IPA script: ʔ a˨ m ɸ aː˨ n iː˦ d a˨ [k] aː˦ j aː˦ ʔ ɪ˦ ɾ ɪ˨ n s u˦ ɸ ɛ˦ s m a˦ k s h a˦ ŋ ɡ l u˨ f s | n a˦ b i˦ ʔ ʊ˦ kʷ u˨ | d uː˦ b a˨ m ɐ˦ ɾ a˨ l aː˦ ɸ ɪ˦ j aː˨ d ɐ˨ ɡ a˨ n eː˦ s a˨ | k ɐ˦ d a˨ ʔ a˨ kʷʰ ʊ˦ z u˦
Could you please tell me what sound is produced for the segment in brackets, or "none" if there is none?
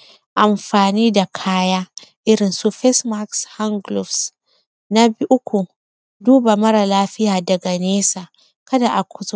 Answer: kʰ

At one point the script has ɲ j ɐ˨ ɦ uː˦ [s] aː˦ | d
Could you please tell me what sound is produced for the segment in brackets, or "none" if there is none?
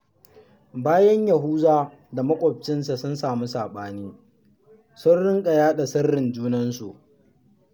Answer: z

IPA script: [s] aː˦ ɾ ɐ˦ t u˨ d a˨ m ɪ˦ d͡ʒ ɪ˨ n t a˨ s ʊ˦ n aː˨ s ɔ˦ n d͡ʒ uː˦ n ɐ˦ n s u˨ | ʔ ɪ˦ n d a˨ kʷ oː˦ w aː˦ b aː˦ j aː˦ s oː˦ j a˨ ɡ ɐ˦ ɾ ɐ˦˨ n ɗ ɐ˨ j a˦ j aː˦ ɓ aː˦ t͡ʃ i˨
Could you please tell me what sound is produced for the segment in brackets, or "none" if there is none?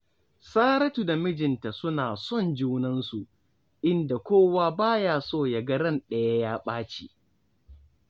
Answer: s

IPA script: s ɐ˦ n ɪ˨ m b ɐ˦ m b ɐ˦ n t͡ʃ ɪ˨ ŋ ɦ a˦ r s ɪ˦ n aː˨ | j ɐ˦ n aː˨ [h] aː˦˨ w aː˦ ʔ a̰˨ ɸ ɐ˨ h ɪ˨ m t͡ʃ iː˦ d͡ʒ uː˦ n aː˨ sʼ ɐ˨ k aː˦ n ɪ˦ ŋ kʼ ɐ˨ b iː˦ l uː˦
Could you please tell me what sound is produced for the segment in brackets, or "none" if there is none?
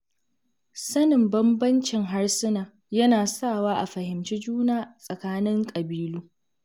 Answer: s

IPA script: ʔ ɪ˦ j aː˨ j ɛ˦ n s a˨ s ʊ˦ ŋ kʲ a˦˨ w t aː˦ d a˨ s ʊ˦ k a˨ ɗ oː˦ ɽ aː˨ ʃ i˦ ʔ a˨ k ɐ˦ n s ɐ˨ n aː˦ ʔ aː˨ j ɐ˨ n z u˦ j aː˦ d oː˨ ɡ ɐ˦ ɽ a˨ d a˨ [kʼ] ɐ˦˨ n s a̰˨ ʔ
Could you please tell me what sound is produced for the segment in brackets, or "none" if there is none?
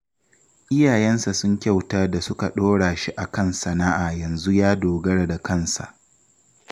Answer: k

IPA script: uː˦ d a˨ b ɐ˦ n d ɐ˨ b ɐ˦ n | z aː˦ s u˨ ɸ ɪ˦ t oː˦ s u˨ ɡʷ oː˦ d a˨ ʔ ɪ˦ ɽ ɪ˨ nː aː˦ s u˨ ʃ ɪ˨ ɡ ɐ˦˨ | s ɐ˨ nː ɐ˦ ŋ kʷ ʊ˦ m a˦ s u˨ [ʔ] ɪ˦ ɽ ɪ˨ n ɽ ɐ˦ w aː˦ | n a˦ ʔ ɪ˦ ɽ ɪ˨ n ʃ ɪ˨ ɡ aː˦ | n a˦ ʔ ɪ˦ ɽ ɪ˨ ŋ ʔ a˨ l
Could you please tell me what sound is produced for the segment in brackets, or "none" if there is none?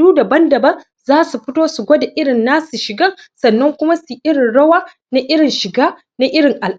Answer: ʔ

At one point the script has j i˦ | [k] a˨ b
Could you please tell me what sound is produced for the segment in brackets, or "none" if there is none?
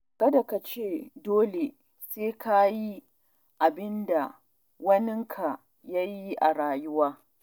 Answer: ʔ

